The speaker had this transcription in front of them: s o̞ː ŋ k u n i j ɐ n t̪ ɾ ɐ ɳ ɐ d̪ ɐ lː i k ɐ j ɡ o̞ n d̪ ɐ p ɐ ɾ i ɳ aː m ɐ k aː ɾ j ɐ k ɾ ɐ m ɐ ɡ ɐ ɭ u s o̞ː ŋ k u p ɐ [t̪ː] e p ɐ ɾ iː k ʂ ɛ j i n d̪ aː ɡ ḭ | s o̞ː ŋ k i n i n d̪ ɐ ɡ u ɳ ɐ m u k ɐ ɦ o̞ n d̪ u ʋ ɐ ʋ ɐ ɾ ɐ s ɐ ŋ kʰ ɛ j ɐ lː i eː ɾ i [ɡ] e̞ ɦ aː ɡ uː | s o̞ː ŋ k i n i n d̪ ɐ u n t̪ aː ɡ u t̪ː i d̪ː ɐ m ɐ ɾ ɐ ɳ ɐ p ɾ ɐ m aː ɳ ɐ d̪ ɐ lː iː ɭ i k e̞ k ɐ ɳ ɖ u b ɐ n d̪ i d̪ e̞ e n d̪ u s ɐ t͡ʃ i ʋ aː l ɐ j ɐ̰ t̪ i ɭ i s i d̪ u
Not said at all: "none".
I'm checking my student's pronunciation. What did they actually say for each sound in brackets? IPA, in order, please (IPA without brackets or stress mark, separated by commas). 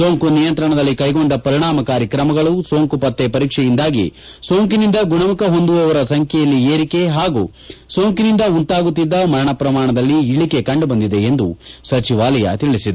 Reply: t̪ː, k